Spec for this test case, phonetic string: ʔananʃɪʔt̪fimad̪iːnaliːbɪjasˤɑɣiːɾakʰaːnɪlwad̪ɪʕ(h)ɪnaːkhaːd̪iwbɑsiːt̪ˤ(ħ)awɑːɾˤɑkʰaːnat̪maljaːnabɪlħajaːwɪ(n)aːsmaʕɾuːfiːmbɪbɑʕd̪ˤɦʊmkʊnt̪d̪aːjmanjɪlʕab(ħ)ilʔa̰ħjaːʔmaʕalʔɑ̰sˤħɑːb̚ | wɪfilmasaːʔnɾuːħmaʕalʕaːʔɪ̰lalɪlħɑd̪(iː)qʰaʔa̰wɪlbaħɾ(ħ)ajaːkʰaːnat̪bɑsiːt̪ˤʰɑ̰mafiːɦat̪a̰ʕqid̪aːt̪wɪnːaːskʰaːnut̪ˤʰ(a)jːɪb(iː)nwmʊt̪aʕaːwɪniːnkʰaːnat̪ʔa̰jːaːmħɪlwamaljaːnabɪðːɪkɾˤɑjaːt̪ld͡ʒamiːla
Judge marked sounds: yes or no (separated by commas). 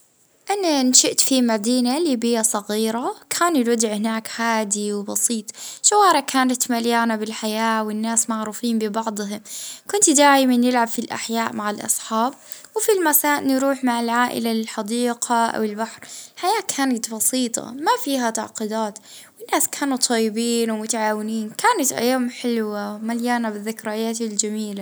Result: yes, no, no, no, yes, yes, no, yes